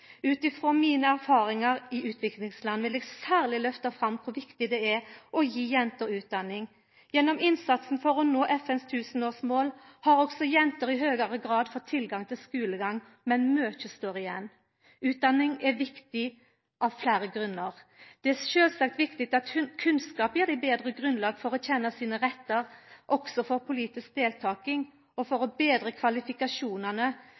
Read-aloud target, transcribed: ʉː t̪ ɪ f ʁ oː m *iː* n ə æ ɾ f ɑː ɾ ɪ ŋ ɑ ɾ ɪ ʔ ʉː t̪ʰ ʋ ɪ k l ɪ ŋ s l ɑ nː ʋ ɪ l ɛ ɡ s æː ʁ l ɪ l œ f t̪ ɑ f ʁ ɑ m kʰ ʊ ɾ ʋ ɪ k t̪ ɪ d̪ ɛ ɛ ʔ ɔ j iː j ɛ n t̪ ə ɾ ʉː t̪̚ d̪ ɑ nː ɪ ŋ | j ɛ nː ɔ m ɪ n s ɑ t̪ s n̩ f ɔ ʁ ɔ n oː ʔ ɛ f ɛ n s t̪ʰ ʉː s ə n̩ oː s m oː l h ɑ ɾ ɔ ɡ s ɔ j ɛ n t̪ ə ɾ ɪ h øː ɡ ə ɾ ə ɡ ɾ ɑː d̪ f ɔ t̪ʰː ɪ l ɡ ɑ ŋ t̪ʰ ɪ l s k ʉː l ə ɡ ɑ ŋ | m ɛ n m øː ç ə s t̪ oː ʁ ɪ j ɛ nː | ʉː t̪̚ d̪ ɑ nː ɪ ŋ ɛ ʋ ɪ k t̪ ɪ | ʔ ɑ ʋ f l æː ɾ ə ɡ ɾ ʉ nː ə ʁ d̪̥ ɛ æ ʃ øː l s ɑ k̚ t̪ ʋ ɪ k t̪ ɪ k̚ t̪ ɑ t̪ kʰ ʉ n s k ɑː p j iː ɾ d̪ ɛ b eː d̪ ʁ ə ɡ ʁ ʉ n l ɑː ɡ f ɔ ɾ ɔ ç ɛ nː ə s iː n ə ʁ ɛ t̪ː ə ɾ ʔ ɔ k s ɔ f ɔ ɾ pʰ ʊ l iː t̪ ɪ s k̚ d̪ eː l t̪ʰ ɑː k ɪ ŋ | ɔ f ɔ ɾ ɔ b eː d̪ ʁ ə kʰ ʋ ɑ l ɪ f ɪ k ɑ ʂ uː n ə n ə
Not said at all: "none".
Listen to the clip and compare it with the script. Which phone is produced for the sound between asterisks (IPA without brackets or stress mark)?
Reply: iː